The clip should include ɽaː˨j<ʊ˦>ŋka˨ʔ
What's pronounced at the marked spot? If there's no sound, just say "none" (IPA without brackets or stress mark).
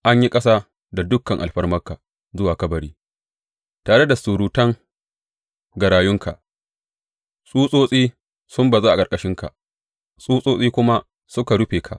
ʊ˦